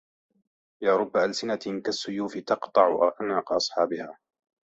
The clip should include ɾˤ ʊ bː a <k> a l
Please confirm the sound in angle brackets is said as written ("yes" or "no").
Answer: no